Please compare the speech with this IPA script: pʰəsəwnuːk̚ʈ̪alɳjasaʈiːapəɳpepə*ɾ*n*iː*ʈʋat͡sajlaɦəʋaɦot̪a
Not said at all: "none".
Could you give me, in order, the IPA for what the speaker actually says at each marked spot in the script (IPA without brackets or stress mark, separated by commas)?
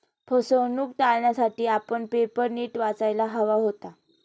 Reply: ɾ, iː